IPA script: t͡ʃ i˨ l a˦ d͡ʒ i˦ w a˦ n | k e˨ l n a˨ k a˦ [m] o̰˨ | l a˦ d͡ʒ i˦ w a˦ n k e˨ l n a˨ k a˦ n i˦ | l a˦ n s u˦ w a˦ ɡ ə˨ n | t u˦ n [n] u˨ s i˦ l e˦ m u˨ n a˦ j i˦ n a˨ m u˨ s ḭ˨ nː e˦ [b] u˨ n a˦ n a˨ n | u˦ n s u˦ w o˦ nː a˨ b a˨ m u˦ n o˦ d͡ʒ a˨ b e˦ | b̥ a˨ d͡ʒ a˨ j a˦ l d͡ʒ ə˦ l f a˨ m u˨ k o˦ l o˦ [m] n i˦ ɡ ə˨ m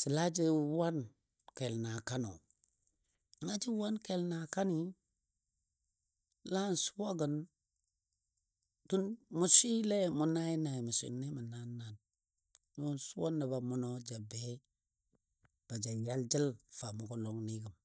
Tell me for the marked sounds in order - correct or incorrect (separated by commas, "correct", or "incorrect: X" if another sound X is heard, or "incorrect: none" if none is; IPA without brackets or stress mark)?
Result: incorrect: n, incorrect: m, incorrect: m, incorrect: ŋ